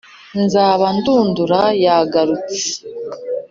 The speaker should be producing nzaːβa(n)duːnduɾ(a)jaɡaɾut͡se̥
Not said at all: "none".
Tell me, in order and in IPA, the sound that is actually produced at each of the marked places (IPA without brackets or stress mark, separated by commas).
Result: n, a